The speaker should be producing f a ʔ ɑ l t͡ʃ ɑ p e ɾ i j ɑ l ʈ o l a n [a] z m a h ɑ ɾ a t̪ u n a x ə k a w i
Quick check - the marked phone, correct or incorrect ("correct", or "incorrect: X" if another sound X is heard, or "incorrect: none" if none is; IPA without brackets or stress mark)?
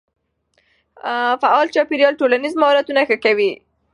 incorrect: i